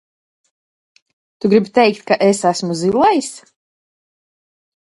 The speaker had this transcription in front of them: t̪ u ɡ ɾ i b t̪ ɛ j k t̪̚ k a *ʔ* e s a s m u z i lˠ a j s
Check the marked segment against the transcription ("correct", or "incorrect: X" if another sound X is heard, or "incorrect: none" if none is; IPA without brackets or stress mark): correct